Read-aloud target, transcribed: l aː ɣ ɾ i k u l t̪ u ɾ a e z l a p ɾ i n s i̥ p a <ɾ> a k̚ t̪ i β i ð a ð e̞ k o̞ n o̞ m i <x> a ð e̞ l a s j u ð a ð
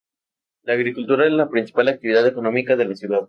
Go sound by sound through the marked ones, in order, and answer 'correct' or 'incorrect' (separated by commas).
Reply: incorrect, incorrect